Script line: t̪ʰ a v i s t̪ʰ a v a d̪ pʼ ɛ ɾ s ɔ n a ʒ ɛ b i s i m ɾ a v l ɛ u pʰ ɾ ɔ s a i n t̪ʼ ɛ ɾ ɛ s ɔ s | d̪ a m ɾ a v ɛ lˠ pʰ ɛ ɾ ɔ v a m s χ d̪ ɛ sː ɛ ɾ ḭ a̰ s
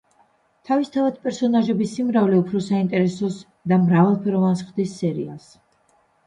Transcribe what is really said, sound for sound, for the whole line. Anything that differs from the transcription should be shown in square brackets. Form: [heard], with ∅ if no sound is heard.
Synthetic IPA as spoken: t̪ʰ a v i s t̪ʰ a v a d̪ pʼ ɛ ɾ s ɔ n a ʒ ɛ b i s i m ɾ a v l ɛ u pʰ ɾ ɔ s a i n t̪ʼ ɛ ɾ ɛ s ɔ s | d̪ a m ɾ a v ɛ lˠ pʰ ɛ ɾ ɔ v a [n] s χ d̪ [i] sː ɛ ɾ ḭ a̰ s